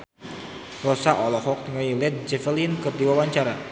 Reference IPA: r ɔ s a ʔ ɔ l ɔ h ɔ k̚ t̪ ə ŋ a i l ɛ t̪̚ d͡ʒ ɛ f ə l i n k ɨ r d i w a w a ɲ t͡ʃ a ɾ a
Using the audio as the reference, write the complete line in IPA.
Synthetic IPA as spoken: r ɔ s a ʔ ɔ l ɔ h ɔ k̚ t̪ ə ŋ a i l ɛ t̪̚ d͡ʒ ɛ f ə l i n k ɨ r d i w a w a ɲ t͡ʃ a ɾ a